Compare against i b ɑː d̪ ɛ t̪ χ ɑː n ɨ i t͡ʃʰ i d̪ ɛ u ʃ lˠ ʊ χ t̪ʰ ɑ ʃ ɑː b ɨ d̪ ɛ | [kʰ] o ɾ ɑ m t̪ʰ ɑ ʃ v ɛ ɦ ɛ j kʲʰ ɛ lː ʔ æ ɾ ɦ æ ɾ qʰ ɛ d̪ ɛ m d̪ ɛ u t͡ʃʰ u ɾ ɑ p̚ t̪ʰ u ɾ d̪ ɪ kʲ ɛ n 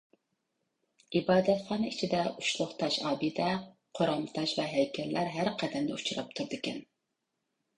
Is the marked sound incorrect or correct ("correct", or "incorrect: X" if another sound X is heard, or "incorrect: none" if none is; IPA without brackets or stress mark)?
incorrect: qʰ